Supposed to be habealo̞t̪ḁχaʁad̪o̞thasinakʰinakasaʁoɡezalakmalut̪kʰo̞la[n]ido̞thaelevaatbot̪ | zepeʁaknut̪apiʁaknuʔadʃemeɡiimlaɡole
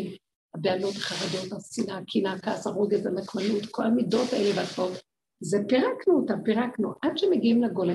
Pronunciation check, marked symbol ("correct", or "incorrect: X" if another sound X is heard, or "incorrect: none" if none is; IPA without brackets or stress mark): incorrect: m